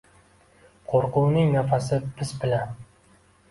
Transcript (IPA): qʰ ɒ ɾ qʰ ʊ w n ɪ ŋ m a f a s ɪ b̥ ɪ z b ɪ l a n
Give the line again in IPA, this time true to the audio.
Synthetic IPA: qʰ o ɾ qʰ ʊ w n ɪ ŋ n a f a s ɪ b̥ ɪ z b ɪ l a n